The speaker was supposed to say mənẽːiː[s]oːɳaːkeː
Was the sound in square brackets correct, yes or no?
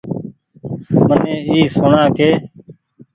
yes